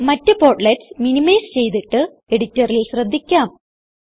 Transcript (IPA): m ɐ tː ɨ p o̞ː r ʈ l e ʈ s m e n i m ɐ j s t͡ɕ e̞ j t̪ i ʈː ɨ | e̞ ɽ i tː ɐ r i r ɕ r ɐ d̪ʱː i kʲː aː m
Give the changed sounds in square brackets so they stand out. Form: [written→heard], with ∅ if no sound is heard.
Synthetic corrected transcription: m ɐ tː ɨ p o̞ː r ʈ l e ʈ s m [e→i] n i m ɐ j s t͡ɕ e̞ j t̪ i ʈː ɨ | e̞ ɽ i tː ɐ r i [r→l] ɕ r ɐ d̪ʱː i kʲː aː m